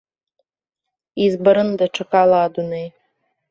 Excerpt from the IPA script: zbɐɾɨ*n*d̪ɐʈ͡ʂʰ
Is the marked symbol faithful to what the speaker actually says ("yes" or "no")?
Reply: yes